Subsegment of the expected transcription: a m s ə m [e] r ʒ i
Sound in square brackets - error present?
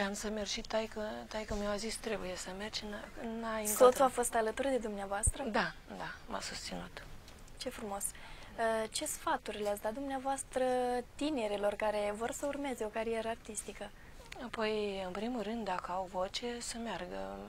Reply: no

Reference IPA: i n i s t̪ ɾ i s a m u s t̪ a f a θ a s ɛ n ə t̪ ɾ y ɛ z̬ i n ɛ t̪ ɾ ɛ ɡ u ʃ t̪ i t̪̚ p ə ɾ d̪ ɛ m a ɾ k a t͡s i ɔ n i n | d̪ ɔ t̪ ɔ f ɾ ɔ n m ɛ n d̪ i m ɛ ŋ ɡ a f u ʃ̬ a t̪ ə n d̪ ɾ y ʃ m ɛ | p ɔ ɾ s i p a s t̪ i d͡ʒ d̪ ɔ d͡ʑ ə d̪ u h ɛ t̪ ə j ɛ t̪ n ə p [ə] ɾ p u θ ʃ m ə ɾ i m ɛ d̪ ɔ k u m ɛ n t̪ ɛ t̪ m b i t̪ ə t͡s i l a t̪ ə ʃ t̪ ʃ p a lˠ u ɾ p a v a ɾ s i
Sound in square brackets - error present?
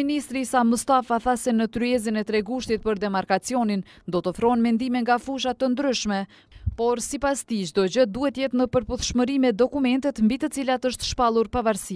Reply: no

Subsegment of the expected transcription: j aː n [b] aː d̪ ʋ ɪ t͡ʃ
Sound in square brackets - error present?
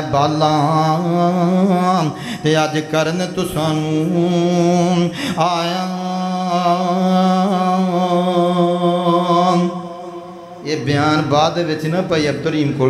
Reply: no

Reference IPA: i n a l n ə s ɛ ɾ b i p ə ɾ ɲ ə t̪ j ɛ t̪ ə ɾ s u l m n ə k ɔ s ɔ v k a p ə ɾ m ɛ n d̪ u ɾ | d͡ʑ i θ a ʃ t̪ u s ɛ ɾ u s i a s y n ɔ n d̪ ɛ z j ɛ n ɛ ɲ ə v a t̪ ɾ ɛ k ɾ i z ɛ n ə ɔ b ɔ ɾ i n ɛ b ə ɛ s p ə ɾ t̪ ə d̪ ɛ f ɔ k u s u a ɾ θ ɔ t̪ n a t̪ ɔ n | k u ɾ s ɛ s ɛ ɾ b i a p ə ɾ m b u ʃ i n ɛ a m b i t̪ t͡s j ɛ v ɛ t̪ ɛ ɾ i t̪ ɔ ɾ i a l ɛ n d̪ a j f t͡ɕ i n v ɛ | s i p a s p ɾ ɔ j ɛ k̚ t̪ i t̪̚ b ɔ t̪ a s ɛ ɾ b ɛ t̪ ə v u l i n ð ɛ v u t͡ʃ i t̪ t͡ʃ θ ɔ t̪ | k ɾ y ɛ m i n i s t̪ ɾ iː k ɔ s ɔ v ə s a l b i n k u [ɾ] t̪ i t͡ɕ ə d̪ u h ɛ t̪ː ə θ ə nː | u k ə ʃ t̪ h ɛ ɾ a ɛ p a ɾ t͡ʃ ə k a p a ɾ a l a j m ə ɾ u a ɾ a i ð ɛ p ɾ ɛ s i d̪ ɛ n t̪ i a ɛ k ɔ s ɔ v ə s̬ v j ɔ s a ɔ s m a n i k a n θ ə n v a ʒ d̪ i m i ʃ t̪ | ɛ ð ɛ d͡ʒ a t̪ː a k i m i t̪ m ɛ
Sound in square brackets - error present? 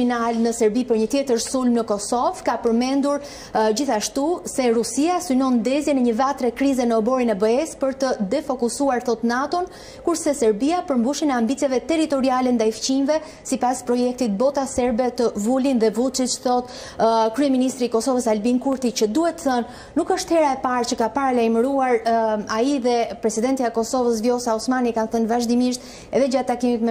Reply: no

